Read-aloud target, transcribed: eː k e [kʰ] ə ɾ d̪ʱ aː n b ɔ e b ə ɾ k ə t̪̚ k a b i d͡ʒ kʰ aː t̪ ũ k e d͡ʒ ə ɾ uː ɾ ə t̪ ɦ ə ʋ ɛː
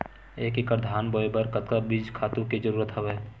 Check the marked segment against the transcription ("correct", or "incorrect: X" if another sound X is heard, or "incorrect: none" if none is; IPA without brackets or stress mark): incorrect: k